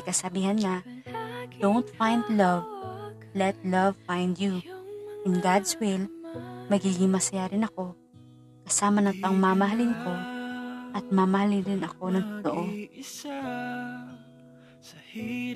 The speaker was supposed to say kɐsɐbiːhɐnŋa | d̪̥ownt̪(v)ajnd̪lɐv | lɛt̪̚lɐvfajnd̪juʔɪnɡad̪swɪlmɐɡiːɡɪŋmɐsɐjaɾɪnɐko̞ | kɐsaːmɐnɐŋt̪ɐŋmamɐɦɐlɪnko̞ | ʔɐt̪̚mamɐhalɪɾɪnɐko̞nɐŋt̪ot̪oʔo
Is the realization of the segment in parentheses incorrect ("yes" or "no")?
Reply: yes